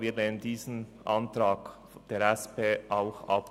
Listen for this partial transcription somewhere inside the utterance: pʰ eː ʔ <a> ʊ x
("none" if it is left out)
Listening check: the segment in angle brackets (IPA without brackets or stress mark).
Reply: a